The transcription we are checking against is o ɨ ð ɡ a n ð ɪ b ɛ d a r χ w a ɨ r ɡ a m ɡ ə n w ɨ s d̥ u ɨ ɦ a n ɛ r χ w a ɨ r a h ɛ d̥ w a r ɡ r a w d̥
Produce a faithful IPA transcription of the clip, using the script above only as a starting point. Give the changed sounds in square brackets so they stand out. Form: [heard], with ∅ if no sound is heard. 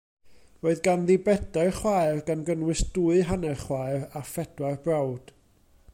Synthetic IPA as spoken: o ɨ ð ɡ a n ð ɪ b ɛ d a r χ w a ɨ r ɡ a [n] ɡ ə n w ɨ s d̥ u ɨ ɦ a n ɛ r χ w a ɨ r a [f] ɛ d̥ w a r [b] r a w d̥